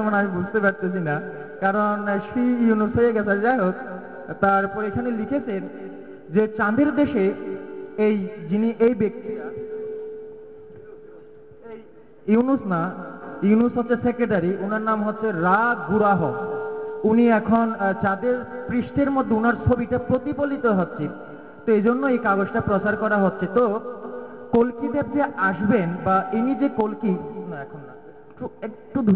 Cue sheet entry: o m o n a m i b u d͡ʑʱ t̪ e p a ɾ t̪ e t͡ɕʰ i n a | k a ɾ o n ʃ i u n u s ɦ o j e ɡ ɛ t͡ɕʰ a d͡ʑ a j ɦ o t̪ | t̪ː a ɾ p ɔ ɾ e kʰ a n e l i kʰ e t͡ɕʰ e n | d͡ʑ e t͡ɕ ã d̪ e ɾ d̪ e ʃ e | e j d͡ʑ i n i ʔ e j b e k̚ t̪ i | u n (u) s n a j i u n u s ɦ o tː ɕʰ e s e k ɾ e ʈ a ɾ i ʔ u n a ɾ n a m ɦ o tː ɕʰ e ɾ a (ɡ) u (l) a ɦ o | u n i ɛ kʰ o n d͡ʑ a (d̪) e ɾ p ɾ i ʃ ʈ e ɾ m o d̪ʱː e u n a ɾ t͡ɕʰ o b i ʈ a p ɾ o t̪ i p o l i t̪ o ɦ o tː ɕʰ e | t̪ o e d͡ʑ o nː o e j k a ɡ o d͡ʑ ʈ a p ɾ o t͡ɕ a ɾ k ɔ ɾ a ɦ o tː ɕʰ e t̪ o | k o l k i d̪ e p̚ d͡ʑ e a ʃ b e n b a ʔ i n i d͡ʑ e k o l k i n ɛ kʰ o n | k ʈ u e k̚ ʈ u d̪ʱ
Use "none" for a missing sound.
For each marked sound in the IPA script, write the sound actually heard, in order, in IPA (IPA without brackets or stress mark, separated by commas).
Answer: u, ɡ, ɾ, d̪